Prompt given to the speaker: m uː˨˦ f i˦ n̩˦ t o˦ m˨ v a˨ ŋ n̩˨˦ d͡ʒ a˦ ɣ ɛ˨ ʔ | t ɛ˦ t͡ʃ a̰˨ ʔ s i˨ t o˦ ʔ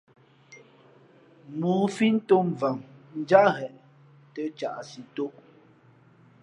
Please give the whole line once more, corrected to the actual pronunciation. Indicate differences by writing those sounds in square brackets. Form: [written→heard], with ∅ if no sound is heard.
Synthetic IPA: m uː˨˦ f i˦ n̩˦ t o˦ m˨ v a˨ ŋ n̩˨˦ d͡ʒ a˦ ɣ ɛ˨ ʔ | t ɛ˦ t͡ʃ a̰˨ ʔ s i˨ t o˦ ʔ